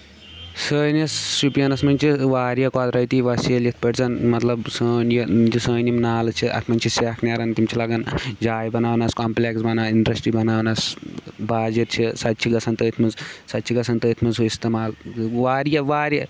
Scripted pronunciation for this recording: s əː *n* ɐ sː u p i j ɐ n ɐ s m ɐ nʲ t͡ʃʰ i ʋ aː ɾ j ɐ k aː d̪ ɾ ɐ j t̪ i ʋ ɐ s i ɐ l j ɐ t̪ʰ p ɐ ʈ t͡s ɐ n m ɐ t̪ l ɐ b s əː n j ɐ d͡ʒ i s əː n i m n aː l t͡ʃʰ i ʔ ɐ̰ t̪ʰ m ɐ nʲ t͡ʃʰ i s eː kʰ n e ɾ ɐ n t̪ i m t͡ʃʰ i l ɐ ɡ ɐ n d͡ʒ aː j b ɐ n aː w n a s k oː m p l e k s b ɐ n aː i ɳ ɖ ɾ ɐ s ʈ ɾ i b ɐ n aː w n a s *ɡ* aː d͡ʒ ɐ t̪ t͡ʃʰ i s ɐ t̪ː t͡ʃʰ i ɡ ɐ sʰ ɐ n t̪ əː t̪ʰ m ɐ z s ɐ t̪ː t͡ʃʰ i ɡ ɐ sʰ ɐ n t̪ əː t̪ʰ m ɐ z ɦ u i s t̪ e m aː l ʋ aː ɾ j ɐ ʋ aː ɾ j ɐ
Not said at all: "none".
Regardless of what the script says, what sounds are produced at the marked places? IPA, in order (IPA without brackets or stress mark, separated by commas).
n, b